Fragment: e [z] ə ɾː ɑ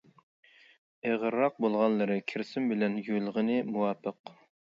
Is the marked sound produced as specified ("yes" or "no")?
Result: no